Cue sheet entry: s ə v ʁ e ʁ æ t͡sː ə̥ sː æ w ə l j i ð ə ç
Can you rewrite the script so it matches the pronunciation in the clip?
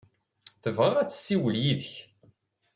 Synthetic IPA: θ ə v ʁ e ʁ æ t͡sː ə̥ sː i w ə l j i ð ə ç